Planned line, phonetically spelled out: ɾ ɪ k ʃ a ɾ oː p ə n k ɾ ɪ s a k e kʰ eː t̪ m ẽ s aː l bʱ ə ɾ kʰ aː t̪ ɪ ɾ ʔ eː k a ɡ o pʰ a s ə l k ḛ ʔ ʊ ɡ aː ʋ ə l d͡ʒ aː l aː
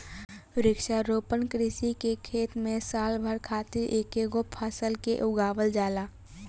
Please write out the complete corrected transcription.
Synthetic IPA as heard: ɾ ɪ k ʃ a ɾ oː p ə n k ɾ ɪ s i k e kʰ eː t̪ m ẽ s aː l bʱ ə ɾ kʰ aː t̪ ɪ ɾ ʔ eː k e ɡ o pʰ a s ə l k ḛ ʔ ʊ ɡ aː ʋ ə l d͡ʒ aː l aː